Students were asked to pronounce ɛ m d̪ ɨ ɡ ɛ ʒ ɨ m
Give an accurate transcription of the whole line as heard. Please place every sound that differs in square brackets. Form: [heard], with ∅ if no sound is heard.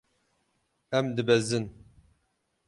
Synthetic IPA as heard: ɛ m d̪ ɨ [b] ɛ [z] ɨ [n]

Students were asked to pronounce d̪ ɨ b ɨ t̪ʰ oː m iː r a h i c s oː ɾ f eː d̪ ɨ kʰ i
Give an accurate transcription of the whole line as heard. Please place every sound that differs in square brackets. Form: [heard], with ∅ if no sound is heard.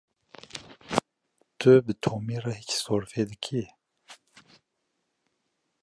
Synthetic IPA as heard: [t̪] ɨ b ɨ t̪ʰ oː m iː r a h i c s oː ɾ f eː d̪ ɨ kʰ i

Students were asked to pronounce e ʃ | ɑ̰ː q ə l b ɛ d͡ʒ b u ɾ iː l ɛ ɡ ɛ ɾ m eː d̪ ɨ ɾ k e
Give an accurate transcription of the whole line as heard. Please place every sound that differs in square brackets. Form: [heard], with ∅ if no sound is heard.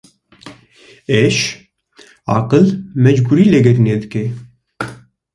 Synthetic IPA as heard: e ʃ | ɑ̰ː q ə l [m] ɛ d͡ʒ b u ɾ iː l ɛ ɡ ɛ ɾ [n] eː d̪ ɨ [∅] k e

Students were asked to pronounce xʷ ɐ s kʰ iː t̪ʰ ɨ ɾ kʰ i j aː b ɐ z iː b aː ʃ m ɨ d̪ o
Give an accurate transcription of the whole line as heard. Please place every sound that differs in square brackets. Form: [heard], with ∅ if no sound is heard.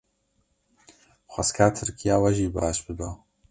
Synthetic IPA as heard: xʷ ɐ s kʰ [aː] t̪ʰ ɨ ɾ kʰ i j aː [w] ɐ [ʒ] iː b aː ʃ [b] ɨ d̪ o

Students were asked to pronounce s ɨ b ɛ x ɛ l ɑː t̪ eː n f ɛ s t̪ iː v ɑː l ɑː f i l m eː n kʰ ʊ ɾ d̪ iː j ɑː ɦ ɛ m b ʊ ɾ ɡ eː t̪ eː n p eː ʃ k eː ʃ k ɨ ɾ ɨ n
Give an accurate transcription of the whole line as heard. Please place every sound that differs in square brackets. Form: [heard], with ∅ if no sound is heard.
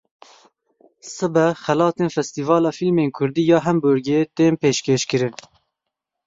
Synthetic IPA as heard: s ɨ b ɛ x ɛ l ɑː t̪ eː n f ɛ s t̪ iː v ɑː l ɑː f i l m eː n kʰ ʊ ɾ d̪ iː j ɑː ɦ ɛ m b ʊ ɾ ɡ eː t̪ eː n p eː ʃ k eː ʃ k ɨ ɾ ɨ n

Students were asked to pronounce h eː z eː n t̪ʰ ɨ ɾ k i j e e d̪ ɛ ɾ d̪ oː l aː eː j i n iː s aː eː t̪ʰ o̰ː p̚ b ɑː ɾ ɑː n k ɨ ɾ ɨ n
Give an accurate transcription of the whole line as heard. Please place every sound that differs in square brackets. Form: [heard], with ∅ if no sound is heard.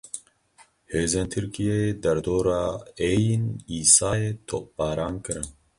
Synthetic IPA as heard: h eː z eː n t̪ʰ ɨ ɾ k i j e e d̪ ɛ ɾ d̪ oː [ɾ] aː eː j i n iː s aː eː t̪ʰ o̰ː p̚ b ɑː ɾ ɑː n k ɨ ɾ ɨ n

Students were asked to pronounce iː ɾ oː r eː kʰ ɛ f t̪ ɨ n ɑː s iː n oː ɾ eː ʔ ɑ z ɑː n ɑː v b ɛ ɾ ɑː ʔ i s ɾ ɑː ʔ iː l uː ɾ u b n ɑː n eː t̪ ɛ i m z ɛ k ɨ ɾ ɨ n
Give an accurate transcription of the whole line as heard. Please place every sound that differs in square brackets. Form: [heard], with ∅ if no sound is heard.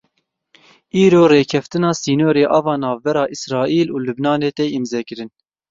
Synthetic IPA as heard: iː ɾ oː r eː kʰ ɛ f t̪ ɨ n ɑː s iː n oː ɾ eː ʔ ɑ [v] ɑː n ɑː v b ɛ ɾ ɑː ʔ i s ɾ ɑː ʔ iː l uː [l] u b n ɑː n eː t̪ ɛ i m z ɛ k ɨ ɾ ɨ n

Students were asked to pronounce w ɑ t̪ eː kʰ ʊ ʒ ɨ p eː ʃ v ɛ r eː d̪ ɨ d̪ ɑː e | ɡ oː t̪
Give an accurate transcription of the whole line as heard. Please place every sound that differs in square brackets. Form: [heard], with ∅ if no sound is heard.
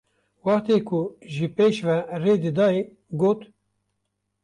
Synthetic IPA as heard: w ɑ t̪ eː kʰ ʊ ʒ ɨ p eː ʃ v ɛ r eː d̪ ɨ d̪ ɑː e | ɡ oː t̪

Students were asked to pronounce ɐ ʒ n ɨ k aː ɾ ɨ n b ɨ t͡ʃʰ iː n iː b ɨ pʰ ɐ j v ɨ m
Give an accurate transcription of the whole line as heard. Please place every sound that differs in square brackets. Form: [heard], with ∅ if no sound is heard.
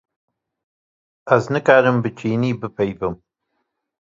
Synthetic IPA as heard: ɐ [z] n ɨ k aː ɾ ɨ [m] b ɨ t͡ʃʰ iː n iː b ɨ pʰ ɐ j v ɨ m

